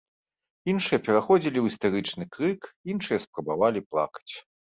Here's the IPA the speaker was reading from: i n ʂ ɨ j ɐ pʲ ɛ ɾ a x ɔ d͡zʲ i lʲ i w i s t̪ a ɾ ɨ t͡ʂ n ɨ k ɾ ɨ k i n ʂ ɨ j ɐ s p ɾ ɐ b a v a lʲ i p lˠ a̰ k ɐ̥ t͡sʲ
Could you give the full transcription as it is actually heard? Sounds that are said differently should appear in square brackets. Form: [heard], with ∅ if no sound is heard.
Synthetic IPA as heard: i n ʂ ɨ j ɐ pʲ ɛ ɾ a x ɔ d͡zʲ i lʲ i w i s t̪ a ɾ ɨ t͡ʂ n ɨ k ɾ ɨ k i n ʂ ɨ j ɐ s p ɾ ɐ b a v a lʲ i p lˠ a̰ k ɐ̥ t͡sʲ